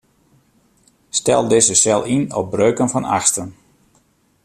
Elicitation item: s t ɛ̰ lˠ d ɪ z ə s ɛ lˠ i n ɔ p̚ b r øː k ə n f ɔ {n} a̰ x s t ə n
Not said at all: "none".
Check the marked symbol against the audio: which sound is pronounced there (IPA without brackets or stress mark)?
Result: n